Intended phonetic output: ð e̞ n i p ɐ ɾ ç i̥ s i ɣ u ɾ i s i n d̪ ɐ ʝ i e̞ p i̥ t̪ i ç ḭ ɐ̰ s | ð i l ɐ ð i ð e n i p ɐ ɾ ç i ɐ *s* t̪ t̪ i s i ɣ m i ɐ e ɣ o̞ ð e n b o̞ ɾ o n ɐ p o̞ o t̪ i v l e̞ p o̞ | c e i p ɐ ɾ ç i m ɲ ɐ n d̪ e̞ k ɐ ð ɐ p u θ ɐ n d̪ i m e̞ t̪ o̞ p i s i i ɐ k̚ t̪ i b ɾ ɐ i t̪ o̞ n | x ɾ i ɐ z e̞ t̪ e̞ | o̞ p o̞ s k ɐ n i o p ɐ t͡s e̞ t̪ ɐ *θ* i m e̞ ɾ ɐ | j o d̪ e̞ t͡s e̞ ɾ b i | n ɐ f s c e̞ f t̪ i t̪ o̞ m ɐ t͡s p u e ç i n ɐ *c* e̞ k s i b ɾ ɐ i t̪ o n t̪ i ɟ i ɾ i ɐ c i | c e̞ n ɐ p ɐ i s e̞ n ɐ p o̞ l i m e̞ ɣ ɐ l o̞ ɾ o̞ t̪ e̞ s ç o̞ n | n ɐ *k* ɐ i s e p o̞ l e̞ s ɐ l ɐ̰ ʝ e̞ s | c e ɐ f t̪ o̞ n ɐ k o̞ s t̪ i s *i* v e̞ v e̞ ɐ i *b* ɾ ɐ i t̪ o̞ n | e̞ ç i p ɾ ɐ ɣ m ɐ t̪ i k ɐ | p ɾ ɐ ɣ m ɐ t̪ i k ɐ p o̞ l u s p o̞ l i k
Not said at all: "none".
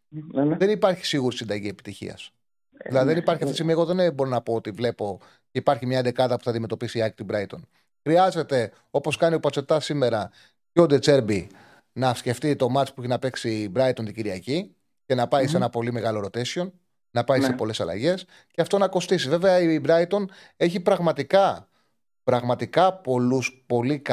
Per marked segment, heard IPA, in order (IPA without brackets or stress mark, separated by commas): f, s, p, p, i, b